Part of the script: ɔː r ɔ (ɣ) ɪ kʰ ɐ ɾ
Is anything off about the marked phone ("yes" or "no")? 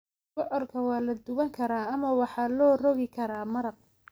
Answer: no